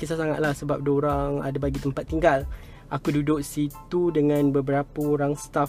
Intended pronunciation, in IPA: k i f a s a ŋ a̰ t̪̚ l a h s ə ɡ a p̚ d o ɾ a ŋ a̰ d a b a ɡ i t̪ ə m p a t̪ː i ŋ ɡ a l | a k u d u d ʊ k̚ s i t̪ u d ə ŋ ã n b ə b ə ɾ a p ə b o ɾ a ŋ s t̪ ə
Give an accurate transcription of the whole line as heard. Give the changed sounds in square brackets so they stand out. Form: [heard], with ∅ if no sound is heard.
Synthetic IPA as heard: k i [s] a s a ŋ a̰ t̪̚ l a h s ə [b] a p̚ d o ɾ a ŋ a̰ d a b a ɡ i t̪ ə m p a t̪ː i ŋ ɡ a l | a k u d u d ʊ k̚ s i t̪ u d ə ŋ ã n b ə b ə ɾ a p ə [∅] o ɾ a ŋ s t̪ [a]